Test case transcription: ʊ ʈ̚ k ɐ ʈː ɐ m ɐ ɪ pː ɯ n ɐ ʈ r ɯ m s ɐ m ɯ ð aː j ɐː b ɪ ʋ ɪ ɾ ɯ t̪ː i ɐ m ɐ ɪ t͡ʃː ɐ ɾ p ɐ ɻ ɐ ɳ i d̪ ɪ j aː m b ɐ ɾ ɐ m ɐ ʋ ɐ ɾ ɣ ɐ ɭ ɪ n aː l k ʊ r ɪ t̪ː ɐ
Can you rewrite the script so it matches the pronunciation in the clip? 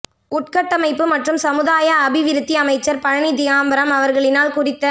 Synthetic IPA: ʊ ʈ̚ k ɐ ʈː ɐ m ɐ ɪ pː ɯ m ɐ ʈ r ɯ m s ɐ m ɯ ð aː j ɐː b ɪ ʋ ɪ ɾ ɯ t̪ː i ɐ m ɐ ɪ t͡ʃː ɐ ɾ p ɐ ɻ ɐ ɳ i d̪ ɪ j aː m b ɐ ɾ ɐ m ɐ ʋ ɐ ɾ ɣ ɐ ɭ ɪ n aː l k ʊ r ɪ t̪ː ɐ